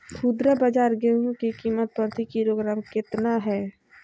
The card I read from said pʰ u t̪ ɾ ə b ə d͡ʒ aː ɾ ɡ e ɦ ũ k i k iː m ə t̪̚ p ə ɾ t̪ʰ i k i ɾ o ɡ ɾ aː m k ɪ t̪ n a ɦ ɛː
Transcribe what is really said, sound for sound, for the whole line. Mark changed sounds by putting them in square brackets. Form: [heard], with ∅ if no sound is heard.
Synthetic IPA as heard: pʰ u [d̪] ɾ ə b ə d͡ʒ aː ɾ ɡ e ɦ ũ k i k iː m ə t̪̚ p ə ɾ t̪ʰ i k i ɾ o ɡ ɾ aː m k ɪ t̪ n a ɦ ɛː